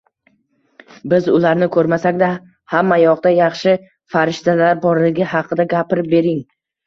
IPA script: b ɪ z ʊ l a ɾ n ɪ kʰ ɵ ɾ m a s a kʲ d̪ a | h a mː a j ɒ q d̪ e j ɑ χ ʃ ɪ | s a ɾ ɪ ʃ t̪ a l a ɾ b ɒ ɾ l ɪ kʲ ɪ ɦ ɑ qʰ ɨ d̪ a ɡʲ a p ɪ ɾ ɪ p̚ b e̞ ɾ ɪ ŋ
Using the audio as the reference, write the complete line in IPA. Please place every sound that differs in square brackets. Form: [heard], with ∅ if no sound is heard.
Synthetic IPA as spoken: b ɪ z ʊ l a ɾ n ɪ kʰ ɵ ɾ m a s a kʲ d̪ a | h a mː a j ɒ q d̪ [a] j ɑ χ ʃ ɪ | [f] a ɾ ɪ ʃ t̪ a l a ɾ b ɒ ɾ l ɪ [ɡʲ] ɪ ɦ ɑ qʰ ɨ d̪ a ɡʲ a p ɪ ɾ ɪ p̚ b e̞ ɾ ɪ ŋ